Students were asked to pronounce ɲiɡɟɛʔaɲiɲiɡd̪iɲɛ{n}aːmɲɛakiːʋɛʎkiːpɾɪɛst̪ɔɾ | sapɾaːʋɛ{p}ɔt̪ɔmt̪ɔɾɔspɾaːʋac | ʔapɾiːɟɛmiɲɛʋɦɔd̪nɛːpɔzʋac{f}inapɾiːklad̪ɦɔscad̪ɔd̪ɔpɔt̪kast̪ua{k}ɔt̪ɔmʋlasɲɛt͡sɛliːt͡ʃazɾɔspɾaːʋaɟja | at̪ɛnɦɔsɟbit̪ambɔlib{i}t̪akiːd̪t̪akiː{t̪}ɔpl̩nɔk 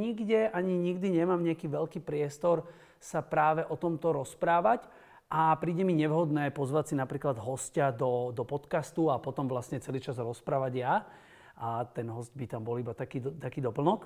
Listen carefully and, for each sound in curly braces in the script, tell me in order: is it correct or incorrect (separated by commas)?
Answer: incorrect, incorrect, incorrect, incorrect, incorrect, incorrect